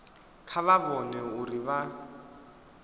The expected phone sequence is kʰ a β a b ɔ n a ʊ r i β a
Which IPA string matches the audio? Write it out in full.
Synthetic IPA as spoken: kʰ a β a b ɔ n ɛ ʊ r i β a